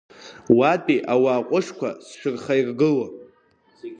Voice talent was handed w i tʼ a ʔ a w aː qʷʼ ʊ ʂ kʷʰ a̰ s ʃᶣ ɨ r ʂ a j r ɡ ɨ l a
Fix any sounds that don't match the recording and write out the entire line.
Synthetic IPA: w a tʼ i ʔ a w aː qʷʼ ʊ ʂ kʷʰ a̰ s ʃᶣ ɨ r χ a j r ɡ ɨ l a